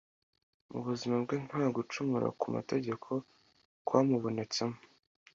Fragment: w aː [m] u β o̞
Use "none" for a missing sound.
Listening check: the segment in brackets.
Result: m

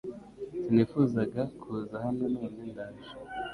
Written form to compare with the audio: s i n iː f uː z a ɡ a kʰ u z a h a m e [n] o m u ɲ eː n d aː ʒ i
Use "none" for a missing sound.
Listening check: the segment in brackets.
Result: n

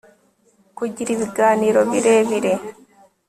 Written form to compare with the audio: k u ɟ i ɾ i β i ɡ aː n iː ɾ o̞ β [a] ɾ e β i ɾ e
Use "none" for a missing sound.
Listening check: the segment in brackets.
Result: i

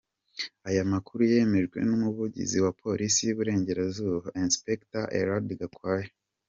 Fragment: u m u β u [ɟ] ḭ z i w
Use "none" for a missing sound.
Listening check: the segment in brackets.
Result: ɟ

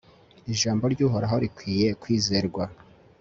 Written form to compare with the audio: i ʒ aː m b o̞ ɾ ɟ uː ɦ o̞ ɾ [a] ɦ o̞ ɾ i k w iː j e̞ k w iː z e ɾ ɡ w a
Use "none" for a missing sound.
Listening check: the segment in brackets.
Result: a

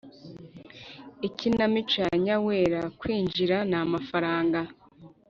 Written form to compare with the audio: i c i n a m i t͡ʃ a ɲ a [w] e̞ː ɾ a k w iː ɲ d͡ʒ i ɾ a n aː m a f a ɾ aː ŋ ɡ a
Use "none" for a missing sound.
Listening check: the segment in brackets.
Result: w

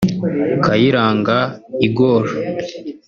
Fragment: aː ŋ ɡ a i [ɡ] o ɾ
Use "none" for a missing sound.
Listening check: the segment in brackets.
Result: ɡ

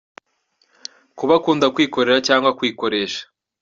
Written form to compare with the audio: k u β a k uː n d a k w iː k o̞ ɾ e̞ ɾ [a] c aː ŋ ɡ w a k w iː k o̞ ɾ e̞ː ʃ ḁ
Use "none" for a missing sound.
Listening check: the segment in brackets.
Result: a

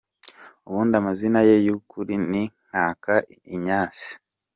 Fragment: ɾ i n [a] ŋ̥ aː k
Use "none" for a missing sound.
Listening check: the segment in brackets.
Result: i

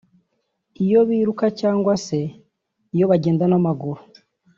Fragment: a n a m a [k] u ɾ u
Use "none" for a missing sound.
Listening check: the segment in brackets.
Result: ɡ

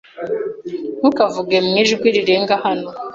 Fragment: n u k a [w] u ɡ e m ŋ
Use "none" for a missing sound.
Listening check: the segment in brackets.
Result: v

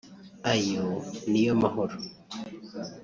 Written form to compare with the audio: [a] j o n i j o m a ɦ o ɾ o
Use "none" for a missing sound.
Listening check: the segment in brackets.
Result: a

